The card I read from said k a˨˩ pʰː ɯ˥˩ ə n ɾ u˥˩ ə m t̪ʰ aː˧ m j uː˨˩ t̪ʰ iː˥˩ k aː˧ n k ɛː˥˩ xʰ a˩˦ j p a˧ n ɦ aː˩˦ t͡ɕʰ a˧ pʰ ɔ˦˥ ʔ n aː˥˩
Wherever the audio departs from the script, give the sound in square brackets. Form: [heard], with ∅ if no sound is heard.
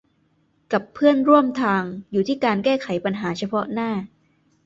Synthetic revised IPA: k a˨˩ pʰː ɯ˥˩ ə n ɾ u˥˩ ə m t̪ʰ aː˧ [ŋ] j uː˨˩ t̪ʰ iː˥˩ k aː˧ n k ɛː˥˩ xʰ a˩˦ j p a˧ n ɦ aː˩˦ t͡ɕʰ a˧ pʰ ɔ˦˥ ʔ n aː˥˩

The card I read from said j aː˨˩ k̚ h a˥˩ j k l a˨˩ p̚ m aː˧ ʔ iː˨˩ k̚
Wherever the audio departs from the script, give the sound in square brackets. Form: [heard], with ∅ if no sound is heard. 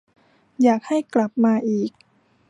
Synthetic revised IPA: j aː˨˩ k̚ h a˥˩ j k l a˨˩ p̚ m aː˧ ʔ iː˨˩ k̚

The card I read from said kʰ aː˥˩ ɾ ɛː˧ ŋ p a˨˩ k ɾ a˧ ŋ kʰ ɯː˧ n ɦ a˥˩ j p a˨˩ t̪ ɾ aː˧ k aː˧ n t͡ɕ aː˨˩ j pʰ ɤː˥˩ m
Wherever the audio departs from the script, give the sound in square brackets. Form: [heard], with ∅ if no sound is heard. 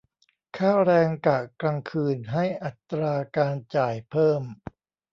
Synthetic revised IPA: kʰ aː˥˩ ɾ ɛː˧ ŋ [k] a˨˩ k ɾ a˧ ŋ kʰ ɯː˧ n ɦ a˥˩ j [ʔ] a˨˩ t̪ ɾ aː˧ k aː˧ n t͡ɕ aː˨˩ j pʰ ɤː˥˩ m

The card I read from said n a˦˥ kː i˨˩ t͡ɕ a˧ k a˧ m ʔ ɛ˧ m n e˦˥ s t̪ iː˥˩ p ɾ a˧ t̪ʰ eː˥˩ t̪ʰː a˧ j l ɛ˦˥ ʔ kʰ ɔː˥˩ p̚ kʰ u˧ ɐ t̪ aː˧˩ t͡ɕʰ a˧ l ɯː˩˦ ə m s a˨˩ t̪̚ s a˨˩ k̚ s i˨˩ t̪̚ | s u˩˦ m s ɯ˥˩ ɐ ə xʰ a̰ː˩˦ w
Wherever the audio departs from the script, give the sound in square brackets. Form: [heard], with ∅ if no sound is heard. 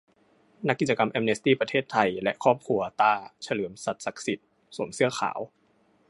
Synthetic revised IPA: n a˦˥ kː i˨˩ t͡ɕ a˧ k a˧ m ʔ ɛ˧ m n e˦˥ s t̪ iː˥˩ p ɾ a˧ t̪ʰ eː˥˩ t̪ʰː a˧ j l ɛ˦˥ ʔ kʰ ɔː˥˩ p̚ kʰ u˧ ɐ t̪ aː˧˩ t͡ɕʰ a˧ l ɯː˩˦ ə m s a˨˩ t̪̚ s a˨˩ k̚ s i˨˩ t̪̚ | s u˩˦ m s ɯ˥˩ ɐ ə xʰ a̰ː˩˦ w

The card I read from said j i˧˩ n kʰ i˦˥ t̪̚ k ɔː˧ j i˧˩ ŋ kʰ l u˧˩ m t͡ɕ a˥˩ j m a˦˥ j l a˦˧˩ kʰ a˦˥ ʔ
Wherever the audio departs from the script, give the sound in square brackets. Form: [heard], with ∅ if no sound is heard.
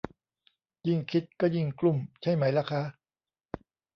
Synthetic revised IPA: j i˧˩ [ŋ] kʰ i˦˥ t̪̚ k [ɔː˥˩] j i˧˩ ŋ [k] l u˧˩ m [t͡ɕʰ] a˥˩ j m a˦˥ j l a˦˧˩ kʰ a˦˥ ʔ

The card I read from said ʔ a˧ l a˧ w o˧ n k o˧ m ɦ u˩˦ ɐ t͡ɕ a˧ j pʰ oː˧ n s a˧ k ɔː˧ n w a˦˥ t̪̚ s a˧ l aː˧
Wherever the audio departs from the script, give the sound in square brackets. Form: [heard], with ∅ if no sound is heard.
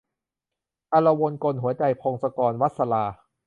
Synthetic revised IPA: ʔ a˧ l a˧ w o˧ n k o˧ [n] ɦ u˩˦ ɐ t͡ɕ a˧ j pʰ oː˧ [ŋ] s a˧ k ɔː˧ n w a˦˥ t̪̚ s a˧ l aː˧

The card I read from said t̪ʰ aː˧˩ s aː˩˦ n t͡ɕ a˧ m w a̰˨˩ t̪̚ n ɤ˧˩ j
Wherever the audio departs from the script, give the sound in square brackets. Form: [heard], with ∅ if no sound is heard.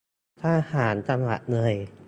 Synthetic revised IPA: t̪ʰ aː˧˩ [h] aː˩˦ n t͡ɕ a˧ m w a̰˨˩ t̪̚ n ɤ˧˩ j

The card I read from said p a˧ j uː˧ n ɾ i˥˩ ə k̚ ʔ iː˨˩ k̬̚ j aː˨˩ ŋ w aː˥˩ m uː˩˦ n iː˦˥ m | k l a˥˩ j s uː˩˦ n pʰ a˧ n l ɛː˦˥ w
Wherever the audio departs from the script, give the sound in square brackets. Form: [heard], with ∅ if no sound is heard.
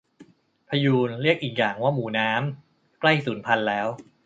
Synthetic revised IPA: [pʰ] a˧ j uː˧ n ɾ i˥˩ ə k̚ ʔ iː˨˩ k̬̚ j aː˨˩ ŋ w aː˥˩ m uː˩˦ n [aː˦˥] m | k l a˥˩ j s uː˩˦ n pʰ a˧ n l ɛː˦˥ w

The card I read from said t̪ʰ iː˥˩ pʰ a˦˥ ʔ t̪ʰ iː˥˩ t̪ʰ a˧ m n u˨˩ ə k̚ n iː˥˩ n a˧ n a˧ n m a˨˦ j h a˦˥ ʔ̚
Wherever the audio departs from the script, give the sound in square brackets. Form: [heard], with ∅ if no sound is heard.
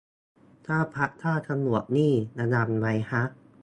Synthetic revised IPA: t̪ʰ [aː˥˩] pʰ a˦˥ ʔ t̪ʰ [aː˥˩] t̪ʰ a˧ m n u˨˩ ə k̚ n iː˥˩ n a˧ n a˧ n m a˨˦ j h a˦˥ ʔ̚

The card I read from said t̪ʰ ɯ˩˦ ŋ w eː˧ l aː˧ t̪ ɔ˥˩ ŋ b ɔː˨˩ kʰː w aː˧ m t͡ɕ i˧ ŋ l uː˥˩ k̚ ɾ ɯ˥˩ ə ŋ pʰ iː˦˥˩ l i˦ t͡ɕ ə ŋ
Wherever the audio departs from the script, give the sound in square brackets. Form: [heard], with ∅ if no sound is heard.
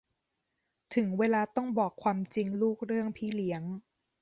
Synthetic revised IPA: t̪ʰ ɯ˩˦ ŋ w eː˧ l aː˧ t̪ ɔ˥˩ ŋ b ɔː˨˩ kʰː w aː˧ m t͡ɕ i˧ ŋ l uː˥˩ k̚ ɾ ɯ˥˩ ə ŋ pʰ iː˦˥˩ l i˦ [∅] ə ŋ

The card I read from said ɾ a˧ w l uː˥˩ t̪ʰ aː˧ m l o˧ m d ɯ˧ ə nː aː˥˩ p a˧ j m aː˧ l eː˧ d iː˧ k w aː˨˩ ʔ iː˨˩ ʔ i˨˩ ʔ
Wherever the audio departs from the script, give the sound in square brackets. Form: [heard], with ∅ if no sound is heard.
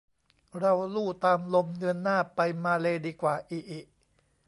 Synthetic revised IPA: ɾ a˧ w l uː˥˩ [t̪] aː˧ m l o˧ m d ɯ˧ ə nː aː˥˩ p a˧ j m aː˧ l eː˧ d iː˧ k w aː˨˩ ʔ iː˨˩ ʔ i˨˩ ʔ

